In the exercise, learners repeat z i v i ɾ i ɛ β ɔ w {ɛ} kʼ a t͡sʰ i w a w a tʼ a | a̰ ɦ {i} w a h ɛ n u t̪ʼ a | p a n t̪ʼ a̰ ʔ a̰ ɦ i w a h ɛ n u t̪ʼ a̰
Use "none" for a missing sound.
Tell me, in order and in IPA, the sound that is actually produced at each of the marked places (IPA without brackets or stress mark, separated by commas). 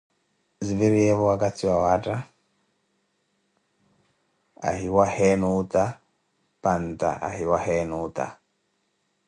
a, i